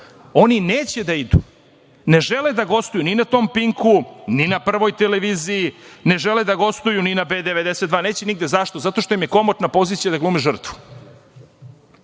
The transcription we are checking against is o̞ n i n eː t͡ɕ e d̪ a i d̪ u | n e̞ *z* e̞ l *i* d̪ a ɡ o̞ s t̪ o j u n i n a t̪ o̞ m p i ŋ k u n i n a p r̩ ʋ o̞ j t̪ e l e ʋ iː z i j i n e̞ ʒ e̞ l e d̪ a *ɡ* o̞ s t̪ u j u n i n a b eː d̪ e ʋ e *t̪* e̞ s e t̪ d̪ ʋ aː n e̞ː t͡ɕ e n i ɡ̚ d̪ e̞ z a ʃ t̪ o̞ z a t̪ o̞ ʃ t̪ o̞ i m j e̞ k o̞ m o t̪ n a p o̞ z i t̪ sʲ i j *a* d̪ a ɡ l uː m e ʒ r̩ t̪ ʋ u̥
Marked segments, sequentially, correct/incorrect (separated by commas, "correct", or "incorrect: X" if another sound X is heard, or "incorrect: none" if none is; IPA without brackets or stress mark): incorrect: ʒ, incorrect: e, correct, incorrect: d̪, correct